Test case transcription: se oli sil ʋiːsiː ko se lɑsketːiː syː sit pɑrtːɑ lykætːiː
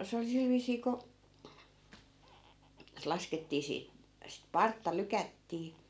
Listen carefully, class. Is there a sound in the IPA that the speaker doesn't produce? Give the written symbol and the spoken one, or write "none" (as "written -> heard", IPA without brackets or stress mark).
yː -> iː